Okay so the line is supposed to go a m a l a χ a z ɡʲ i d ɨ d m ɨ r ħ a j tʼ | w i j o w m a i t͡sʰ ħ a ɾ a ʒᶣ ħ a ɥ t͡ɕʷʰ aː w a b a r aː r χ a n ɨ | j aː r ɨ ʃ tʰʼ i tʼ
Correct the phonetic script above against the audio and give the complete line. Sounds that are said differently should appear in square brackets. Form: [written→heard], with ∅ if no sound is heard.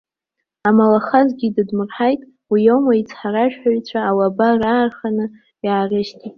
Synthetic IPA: a m a l a χ a z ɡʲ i d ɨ d m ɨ r ħ a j tʼ | w i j o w m a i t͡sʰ ħ a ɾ a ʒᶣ ħ a ɥ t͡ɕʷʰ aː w a b a r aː r χ a n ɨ | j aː r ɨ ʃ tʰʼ i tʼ